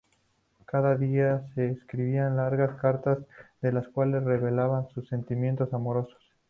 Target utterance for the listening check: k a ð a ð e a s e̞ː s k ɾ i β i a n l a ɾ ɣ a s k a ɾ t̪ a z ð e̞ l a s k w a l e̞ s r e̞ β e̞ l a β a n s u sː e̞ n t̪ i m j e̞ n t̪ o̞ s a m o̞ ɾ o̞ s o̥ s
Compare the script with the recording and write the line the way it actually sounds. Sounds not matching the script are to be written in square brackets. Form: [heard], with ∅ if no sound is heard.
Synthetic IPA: k a ð a ð [i] a s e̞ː s k ɾ i β i a n l a ɾ ɣ a s k a ɾ t̪ a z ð e̞ l a s k w a l e̞ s r e̞ β e̞ l a β a n s u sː e̞ n t̪ i m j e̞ n t̪ o̞ s a m o̞ ɾ o̞ s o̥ s